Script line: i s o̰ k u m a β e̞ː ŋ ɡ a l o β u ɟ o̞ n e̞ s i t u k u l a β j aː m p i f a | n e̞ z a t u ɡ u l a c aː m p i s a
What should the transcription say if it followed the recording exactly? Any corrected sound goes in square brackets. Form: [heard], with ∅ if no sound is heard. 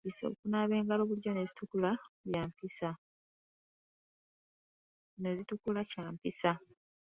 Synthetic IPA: i s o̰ k u [n] a β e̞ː ŋ ɡ a l o β u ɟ o̞ n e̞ [z] i t u k u l a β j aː m p i [s] a | n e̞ z [i] t u [k] u l a c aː m p i s a